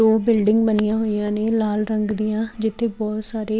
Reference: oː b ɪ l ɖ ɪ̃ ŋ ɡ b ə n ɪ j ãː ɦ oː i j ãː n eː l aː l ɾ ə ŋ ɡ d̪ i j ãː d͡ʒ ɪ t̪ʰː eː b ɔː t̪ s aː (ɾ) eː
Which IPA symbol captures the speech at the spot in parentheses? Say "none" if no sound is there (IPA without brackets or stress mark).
ɾ